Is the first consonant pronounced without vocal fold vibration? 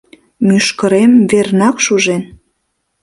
no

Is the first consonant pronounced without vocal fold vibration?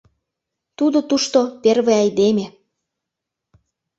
yes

